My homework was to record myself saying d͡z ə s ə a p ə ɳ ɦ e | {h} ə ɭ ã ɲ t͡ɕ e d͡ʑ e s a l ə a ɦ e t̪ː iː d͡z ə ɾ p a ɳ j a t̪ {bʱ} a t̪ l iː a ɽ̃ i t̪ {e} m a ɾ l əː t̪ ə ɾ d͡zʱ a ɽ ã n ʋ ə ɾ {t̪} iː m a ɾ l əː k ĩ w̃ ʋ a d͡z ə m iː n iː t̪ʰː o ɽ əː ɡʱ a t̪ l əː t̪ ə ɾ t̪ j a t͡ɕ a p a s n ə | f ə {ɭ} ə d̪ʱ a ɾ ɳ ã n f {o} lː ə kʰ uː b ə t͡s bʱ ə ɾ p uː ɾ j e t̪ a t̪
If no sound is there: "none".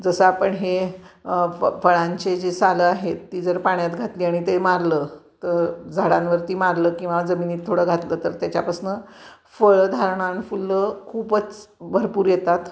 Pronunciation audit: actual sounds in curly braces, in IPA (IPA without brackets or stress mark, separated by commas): f, ɡʱ, e, t̪, ɭ, u